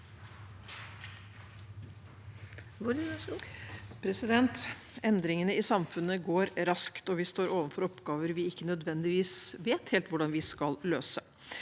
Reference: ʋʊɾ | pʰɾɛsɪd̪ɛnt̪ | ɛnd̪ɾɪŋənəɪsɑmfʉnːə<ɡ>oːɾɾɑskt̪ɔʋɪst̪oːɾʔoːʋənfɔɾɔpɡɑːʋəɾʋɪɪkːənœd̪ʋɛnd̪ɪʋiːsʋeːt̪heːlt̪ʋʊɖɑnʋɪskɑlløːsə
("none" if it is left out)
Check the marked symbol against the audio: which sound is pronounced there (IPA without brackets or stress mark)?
ɡ